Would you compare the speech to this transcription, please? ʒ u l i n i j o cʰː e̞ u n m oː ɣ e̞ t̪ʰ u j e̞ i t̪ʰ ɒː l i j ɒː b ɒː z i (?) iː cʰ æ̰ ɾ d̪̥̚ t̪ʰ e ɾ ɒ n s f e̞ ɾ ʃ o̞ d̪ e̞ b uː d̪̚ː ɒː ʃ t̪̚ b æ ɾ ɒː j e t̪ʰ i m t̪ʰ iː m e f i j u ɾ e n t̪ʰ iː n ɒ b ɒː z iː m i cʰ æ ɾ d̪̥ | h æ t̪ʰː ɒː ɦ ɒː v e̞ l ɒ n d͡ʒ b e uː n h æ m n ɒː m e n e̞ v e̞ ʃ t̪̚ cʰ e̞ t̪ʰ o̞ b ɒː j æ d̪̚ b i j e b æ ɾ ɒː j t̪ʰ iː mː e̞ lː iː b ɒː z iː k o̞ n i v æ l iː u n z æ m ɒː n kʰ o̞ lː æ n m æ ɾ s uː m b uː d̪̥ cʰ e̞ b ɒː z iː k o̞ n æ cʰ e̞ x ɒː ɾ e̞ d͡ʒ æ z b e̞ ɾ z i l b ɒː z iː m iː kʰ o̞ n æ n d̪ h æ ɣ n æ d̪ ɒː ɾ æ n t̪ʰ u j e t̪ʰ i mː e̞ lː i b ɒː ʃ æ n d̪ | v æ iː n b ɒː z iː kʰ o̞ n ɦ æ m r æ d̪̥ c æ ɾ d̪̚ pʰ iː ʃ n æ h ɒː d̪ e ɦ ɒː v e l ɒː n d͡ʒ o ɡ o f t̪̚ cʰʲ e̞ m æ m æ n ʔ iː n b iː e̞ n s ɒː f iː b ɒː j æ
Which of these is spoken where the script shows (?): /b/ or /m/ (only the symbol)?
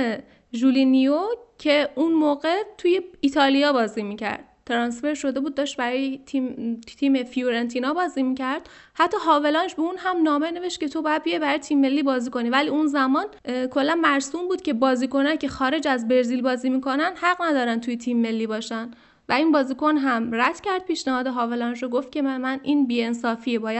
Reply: m